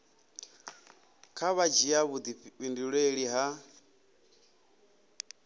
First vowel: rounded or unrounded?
unrounded